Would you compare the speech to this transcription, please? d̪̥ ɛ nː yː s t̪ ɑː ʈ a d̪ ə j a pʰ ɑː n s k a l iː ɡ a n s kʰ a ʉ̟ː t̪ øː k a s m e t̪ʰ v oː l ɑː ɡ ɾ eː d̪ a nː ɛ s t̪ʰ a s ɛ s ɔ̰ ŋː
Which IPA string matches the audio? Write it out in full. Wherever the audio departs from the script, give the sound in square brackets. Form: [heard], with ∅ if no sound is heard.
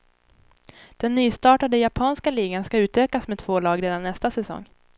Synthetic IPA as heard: d̪̥ ɛ nː yː s t̪ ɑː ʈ a d̪ ə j a pʰ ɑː n s k a l iː ɡ a n s [k] a ʉ̟ː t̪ øː k a s m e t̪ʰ v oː l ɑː ɡ ɾ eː d̪ a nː ɛ s [t̪] a s ɛ s ɔ̰ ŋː